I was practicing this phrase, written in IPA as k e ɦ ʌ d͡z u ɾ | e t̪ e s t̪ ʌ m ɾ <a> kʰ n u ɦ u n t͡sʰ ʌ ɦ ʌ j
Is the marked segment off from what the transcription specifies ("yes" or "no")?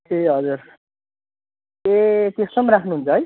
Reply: no